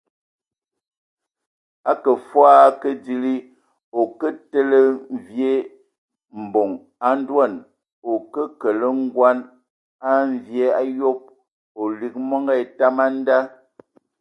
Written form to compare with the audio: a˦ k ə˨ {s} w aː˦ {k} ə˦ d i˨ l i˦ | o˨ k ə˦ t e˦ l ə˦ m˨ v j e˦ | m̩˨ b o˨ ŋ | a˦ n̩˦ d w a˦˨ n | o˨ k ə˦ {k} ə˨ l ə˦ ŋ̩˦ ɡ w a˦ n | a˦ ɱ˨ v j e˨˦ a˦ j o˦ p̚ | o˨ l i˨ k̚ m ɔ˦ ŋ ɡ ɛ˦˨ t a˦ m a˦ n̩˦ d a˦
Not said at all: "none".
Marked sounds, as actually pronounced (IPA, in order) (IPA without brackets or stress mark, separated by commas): f, k, k